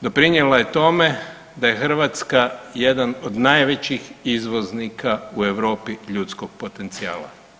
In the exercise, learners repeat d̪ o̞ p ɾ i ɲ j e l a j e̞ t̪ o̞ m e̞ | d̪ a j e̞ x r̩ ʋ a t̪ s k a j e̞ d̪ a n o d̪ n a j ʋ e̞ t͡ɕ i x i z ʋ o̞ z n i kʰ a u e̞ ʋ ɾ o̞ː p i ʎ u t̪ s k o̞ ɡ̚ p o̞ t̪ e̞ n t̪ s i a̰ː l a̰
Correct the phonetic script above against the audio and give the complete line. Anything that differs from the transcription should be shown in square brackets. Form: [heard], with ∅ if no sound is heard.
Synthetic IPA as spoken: d̪ o̞ p ɾ i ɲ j e l a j e̞ t̪ o̞ m e̞ | d̪ a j e̞ x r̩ ʋ a t̪ s k a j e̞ d̪ a n o d̪ n a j ʋ e̞ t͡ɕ i x i z ʋ o̞ z n i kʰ a u e̞ ʋ ɾ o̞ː p i ʎ u t̪ s k o̞ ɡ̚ p o̞ t̪ e̞ n t̪ s i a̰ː l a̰